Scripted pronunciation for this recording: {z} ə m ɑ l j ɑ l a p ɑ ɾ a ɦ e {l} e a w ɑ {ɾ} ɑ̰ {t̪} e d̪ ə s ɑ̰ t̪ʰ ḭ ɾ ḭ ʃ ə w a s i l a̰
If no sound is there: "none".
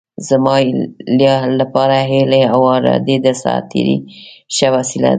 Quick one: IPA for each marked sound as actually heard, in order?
z, l, ɾ, d̪

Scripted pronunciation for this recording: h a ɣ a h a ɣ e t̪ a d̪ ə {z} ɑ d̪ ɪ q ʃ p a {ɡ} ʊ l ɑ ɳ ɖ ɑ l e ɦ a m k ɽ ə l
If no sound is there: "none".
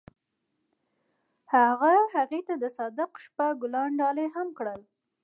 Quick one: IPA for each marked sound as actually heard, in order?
s, ɡ

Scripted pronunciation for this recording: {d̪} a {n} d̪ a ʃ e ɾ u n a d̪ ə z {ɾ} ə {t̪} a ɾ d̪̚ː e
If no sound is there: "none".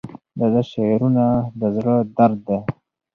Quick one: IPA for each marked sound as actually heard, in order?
d̪, none, ɽ, d̪

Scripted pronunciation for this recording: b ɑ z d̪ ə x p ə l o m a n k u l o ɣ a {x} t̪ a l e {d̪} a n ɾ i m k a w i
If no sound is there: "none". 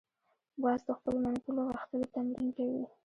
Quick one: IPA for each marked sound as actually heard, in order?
x, t̪

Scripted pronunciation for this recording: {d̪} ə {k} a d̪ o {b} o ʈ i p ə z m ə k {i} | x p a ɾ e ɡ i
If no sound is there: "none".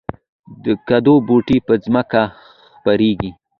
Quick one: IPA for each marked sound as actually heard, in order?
d̪, k, b, a

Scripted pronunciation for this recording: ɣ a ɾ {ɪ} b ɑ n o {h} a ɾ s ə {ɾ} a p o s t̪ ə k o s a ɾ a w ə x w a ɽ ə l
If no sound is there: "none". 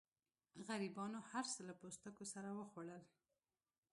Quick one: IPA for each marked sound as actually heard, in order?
i, h, l

